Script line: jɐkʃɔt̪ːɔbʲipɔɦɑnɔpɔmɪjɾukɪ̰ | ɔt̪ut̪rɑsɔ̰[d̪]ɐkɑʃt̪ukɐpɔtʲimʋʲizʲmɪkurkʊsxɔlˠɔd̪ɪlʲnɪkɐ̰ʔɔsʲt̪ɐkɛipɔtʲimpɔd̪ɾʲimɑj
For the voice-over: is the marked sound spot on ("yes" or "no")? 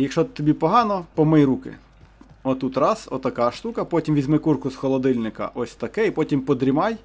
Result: no